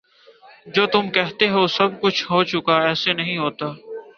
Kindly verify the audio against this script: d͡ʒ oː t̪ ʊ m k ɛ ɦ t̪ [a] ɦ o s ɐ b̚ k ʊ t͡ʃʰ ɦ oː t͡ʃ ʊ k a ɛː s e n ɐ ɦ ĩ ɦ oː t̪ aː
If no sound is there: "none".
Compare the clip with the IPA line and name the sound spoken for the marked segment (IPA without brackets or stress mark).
e